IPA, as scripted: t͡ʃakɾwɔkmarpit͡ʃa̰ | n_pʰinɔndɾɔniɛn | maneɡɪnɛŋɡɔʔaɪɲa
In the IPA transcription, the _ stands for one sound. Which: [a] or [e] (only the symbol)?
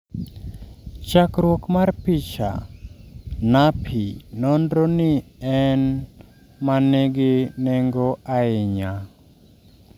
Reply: a